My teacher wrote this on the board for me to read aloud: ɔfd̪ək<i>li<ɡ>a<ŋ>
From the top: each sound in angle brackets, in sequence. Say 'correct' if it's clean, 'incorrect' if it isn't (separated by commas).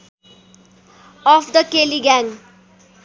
incorrect, correct, correct